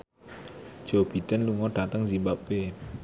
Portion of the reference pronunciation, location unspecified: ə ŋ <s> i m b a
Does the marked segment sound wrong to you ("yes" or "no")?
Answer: yes